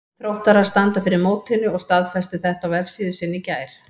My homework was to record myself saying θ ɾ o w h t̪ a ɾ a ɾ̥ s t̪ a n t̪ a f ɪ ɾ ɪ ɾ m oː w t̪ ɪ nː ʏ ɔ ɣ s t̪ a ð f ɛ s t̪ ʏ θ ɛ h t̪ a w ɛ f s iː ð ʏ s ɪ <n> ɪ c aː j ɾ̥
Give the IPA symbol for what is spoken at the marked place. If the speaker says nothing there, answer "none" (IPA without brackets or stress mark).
nː